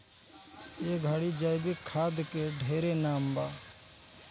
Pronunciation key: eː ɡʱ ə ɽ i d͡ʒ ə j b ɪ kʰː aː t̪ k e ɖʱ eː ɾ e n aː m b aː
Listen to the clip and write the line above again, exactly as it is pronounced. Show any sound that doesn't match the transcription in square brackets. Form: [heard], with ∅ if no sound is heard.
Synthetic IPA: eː ɡʱ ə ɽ i d͡ʒ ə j b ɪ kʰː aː [d̪] k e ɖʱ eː ɾ e n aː m b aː